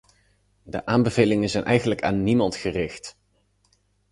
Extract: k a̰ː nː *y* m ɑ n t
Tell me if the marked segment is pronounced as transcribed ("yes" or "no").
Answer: no